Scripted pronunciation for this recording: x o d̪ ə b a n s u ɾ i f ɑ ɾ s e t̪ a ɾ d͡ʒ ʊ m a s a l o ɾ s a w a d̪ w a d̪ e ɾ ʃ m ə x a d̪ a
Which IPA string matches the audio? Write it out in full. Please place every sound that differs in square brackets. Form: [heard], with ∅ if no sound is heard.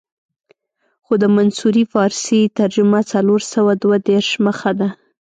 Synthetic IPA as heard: x o d̪ ə [m] a n s u ɾ i f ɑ ɾ s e t̪ a ɾ d͡ʒ ʊ m a [t͡s] a l o ɾ s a w a d̪ w a d̪ e ɾ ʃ m ə x a d̪ a